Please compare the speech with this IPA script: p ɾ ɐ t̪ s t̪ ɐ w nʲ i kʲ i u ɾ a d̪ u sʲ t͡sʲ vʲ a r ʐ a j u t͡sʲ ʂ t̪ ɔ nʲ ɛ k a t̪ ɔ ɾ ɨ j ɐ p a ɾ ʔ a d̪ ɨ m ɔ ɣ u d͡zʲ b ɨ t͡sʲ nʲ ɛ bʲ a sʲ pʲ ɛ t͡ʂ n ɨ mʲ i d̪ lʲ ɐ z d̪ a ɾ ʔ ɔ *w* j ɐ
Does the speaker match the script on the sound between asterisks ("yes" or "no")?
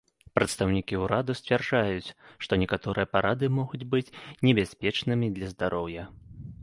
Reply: yes